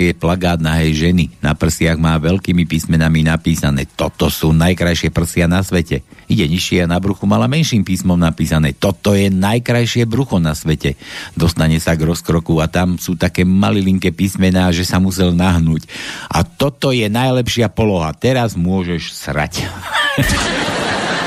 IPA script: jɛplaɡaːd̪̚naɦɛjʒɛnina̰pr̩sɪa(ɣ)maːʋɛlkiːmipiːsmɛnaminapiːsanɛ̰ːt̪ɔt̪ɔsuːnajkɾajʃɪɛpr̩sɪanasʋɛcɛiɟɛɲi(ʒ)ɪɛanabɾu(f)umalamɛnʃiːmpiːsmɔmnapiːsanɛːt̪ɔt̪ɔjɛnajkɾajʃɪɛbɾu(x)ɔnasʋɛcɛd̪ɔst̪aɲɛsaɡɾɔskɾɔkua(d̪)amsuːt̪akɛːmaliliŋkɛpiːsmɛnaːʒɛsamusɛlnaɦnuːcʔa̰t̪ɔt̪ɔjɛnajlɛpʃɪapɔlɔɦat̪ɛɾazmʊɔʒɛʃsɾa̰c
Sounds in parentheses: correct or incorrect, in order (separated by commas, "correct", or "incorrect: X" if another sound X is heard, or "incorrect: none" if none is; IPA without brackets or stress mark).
correct, incorrect: ʃ, incorrect: x, correct, incorrect: t̪